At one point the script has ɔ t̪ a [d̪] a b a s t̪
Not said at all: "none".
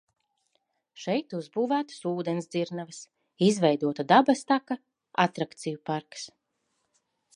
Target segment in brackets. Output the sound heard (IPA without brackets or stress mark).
d̪